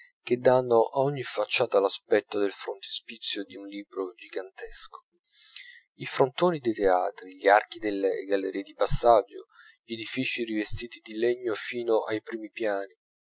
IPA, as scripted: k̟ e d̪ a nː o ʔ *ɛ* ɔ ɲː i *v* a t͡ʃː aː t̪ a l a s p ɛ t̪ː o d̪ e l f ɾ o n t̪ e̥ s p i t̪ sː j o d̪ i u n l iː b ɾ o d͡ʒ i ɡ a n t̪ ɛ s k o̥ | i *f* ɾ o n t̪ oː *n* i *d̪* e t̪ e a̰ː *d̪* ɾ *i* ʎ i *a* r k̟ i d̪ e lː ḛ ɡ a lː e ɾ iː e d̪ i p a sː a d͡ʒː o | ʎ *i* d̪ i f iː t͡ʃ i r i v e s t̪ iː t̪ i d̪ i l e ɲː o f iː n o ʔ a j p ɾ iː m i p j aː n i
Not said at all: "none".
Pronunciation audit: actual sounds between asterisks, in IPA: a, f, f, n, d̪, t̪, i, a, e

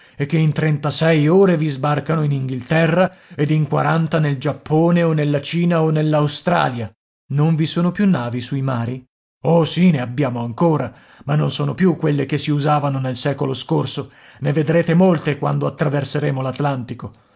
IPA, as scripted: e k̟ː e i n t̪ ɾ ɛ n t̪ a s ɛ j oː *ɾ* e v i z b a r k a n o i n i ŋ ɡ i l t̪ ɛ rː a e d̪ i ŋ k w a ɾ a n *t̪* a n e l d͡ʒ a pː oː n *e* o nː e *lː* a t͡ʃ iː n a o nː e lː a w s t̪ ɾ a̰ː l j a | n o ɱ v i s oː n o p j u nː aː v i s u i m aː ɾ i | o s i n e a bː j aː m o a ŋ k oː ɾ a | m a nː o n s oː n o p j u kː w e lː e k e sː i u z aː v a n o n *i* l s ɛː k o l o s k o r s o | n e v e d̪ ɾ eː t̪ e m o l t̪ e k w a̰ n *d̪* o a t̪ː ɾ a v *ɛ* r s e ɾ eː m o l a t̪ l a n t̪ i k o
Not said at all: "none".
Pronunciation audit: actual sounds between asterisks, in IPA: ɾ, t̪, e, lː, e, d̪, e

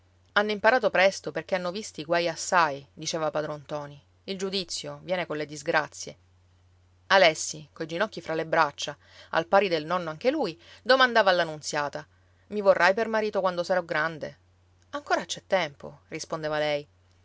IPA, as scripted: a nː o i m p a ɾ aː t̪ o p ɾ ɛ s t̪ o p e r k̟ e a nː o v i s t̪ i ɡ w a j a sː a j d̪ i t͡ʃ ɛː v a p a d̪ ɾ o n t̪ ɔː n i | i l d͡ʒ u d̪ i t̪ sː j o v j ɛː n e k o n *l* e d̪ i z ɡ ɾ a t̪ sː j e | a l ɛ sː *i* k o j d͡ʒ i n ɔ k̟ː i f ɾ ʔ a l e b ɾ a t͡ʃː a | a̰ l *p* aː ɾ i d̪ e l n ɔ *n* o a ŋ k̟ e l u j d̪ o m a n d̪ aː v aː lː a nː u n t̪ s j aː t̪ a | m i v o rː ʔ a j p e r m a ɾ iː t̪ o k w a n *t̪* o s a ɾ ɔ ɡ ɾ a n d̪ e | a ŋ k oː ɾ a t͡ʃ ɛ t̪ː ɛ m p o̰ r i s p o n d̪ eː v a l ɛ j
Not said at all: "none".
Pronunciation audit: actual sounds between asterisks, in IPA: l, i, p, nː, d̪

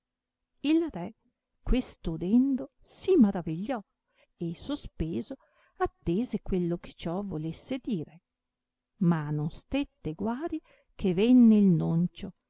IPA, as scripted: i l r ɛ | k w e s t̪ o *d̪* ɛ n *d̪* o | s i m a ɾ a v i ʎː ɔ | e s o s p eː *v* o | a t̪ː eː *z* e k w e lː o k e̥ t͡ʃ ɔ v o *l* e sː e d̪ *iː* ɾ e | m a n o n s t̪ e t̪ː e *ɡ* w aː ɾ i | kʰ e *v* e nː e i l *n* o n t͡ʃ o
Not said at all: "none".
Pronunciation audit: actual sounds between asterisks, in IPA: d̪, d̪, z, z, l, iː, ɡ, v, n

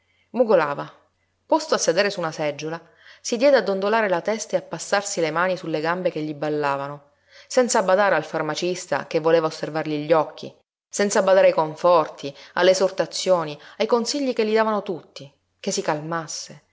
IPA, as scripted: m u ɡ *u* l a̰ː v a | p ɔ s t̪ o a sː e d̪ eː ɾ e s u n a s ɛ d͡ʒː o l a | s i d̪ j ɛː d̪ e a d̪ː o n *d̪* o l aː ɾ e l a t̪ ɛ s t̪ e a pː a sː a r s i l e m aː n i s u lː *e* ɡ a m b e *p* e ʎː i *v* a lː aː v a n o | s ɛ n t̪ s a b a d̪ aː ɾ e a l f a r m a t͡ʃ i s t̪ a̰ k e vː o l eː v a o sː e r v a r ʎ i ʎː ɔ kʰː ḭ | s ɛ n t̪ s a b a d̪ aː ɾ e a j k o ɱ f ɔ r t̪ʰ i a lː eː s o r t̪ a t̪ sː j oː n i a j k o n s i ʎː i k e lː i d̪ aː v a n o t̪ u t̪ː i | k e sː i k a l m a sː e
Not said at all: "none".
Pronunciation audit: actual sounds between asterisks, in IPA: o, d̪, e, k, b

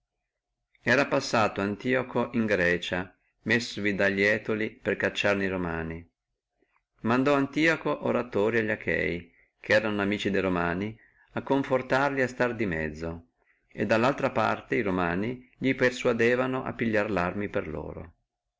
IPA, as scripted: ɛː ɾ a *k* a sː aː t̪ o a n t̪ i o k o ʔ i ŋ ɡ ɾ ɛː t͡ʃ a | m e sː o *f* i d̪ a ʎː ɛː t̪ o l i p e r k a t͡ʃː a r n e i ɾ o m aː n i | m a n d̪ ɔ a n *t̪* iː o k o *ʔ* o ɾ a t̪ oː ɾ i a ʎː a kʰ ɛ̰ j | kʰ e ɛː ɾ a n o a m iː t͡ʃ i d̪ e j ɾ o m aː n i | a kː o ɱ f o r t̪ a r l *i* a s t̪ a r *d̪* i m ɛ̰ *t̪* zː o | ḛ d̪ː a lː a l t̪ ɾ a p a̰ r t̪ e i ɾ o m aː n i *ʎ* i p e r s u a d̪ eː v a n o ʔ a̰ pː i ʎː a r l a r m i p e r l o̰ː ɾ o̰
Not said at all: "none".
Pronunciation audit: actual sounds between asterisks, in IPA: p, v, t̪, ʔ, i, d̪, d̪, ʎ

